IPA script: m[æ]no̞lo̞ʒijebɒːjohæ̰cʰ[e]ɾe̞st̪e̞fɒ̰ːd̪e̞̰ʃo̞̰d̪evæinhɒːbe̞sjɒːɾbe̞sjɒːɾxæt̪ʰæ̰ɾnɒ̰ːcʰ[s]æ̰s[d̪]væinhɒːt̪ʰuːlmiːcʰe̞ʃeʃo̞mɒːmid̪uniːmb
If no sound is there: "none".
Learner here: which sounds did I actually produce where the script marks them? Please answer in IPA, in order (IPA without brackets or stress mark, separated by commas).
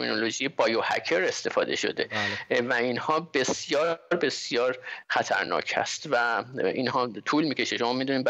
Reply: i, e, h, t̪